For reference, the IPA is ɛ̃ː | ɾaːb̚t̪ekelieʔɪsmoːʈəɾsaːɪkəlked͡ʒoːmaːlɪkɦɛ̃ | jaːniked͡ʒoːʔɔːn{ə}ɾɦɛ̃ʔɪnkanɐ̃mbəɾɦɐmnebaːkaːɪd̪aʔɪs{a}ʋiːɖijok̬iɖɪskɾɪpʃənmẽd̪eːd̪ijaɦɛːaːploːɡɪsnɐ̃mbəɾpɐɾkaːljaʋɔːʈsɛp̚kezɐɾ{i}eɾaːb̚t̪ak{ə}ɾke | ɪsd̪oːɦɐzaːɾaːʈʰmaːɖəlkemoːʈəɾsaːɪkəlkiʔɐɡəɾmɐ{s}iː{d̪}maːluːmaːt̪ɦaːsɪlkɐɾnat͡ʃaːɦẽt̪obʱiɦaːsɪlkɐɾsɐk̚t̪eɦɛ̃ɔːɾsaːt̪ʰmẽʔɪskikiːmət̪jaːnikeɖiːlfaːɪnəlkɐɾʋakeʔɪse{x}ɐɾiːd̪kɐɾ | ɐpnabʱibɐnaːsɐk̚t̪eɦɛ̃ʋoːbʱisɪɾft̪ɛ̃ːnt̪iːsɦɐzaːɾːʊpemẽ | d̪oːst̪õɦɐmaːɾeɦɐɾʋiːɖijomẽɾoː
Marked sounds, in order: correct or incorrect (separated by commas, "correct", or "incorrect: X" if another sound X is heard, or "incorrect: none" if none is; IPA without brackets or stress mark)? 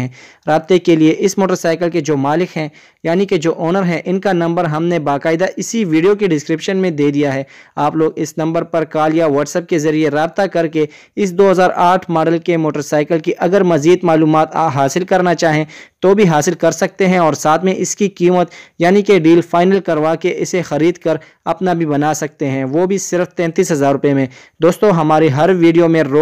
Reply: correct, incorrect: i, correct, incorrect: ɐ, incorrect: z, correct, correct